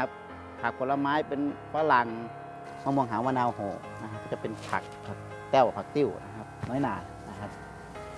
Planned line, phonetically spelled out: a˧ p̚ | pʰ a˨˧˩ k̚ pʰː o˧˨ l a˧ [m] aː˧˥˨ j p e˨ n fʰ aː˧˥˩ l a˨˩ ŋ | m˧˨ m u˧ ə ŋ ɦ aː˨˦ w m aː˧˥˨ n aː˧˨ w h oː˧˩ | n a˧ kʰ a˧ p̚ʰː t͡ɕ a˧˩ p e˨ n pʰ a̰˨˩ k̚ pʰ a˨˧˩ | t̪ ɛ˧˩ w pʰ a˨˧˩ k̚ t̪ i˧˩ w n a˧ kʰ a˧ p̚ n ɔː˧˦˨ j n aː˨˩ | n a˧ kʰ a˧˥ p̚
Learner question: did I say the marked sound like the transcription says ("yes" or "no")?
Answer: yes